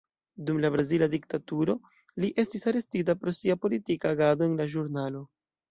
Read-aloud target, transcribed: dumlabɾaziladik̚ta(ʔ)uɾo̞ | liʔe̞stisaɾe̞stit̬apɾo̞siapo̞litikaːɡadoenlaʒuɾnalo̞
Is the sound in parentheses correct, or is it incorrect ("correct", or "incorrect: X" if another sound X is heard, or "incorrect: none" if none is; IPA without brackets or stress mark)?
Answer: incorrect: t